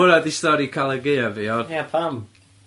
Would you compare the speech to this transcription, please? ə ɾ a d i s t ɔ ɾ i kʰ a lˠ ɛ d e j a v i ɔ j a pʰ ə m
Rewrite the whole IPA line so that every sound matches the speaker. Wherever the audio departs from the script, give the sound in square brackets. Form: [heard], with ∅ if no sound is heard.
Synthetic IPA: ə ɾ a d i s t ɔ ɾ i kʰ a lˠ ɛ [ɡ] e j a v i ɔ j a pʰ [a] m